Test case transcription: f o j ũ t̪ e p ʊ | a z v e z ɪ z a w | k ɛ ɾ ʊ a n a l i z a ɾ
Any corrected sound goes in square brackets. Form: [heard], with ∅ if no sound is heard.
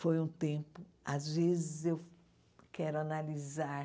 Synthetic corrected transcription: f o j ũ t̪ [ẽ] p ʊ | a z v e z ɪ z [e] w | k ɛ ɾ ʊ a n a l i z a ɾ